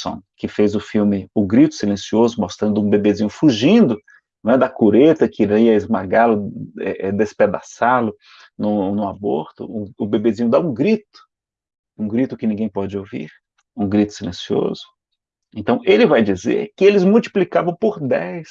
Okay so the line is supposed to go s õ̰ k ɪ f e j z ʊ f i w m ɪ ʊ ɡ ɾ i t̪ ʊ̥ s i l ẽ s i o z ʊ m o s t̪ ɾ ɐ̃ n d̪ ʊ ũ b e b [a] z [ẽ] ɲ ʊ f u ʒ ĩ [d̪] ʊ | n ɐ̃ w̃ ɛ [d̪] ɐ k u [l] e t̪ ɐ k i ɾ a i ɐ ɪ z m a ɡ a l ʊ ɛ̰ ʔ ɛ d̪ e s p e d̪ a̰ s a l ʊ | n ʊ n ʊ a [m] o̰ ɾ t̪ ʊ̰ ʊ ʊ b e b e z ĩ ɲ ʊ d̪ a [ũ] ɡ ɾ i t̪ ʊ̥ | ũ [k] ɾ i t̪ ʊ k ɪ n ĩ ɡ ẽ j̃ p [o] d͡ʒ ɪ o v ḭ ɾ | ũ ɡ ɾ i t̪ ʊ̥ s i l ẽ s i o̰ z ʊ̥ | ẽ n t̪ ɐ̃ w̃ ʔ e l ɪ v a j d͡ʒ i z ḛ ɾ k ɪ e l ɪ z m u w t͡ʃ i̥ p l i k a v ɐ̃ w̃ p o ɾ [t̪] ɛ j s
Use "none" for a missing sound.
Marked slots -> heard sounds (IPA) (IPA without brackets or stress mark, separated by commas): e, ĩ, d̪, d̪, ɾ, b, ũ, ɡ, ɔ, d̪